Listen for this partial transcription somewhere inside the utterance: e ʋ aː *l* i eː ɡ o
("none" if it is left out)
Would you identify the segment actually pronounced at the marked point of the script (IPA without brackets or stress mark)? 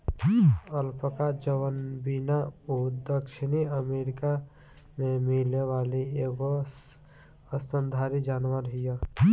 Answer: l